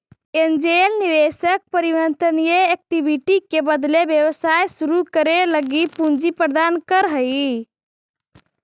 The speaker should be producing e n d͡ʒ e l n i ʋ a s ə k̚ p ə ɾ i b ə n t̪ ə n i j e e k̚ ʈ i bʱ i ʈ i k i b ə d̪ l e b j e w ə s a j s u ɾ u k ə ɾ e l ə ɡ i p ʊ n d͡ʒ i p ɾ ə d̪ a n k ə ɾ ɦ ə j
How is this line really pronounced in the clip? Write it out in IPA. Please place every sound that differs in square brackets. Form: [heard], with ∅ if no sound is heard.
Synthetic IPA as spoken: e n d͡ʒ e l n i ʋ [e] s ə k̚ p ə ɾ i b ə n t̪ ə n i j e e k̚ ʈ i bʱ i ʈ i k [e] b ə d̪ l e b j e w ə s a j s u ɾ u k ə ɾ e l ə ɡ i p [u] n d͡ʒ i p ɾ ə d̪ a n k ə ɾ ɦ ə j